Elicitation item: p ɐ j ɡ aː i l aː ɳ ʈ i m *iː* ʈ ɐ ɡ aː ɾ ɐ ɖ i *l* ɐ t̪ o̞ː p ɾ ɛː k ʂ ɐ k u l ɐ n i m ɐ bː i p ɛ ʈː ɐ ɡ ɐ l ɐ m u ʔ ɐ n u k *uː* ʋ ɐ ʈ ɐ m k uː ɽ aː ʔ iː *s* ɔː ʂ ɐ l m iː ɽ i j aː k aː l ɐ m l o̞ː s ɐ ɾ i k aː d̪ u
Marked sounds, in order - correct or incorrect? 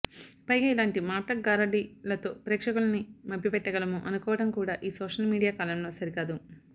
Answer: incorrect, correct, incorrect, correct

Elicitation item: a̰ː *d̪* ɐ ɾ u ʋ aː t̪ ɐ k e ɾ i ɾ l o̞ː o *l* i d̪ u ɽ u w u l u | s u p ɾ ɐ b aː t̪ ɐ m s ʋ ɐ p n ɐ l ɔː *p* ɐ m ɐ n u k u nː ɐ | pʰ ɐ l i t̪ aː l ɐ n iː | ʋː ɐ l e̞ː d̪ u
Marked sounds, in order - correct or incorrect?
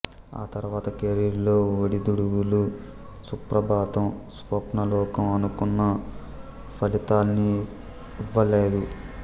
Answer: incorrect, incorrect, incorrect

